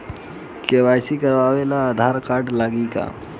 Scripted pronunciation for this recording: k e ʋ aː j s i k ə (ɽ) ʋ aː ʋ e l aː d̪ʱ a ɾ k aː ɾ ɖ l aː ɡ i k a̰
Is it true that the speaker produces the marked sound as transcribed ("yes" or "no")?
no